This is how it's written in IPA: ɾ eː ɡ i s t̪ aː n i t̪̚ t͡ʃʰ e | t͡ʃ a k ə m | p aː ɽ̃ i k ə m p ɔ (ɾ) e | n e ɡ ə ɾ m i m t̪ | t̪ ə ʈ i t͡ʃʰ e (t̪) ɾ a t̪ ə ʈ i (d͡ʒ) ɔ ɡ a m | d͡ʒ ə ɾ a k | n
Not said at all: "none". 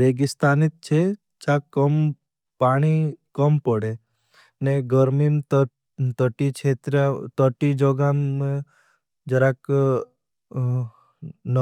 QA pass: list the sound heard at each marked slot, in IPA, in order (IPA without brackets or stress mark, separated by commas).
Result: ɽ, t̪, d͡ʒ